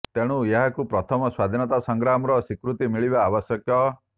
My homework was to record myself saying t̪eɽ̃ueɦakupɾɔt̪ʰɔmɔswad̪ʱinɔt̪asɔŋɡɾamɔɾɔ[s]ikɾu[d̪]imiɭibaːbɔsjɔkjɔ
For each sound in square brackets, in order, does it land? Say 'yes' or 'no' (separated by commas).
yes, no